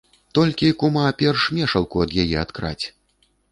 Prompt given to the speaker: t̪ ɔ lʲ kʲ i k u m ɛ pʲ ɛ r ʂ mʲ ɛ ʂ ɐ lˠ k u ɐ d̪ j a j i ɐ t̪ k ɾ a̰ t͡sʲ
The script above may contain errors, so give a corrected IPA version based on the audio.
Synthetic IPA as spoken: t̪ ɔ lʲ kʲ i k u m a pʲ ɛ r ʂ mʲ ɛ ʂ ɐ lˠ k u ɐ d̪ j a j ɛ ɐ t̪ k ɾ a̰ t͡sʲ